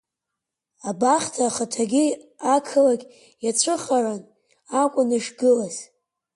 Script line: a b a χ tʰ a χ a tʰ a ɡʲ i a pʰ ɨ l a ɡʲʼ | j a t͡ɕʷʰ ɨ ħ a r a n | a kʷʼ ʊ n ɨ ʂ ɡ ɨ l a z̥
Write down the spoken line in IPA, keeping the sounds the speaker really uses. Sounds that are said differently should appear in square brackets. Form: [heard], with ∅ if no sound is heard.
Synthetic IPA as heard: a b a χ tʰ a χ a tʰ a ɡʲ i a [kʰ] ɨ l a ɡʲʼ | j a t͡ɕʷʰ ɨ [χ] a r a n | a kʷʼ ʊ n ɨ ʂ ɡ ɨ l a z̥